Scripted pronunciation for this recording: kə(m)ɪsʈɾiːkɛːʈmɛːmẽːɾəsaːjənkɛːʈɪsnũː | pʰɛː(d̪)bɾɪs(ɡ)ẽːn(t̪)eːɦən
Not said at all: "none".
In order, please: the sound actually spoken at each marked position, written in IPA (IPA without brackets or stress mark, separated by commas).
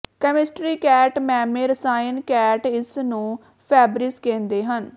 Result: m, none, k, d̪